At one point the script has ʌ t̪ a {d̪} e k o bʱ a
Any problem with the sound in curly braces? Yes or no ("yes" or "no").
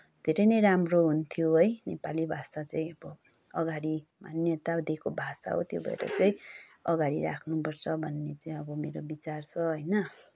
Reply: no